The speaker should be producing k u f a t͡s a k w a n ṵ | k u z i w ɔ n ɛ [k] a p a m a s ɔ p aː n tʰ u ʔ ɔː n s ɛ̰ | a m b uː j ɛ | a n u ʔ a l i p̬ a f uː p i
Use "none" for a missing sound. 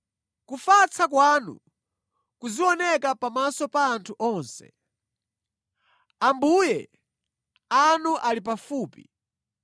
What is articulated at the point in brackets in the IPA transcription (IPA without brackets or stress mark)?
k